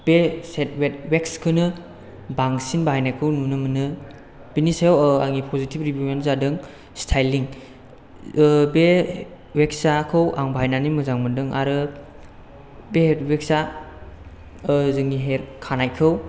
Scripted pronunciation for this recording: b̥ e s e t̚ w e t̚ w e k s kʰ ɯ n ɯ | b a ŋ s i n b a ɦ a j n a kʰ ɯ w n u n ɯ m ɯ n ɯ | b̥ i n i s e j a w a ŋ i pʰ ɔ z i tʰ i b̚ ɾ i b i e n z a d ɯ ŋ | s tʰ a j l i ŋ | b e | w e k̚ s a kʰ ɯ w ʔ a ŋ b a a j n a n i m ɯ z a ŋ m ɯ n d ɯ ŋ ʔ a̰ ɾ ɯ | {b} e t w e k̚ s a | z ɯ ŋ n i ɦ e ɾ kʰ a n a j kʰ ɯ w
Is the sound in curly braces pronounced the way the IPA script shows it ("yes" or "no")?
yes